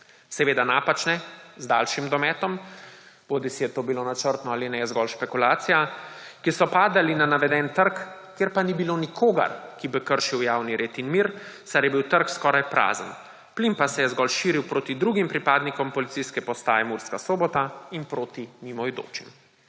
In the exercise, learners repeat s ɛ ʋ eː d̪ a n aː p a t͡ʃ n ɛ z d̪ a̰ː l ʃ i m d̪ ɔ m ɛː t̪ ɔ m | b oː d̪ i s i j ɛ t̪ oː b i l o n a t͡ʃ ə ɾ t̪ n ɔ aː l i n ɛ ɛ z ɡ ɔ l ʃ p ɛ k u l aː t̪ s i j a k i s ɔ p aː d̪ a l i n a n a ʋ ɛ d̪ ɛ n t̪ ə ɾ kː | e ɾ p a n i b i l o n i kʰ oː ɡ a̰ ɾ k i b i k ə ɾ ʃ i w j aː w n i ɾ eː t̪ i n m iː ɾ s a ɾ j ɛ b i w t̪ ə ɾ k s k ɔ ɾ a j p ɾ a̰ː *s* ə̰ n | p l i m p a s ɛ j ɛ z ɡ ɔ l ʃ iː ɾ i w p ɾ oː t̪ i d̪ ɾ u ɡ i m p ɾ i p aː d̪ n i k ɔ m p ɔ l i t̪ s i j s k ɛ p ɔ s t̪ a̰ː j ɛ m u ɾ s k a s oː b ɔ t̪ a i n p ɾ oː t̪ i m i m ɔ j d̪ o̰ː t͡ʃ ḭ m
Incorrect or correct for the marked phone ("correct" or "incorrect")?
incorrect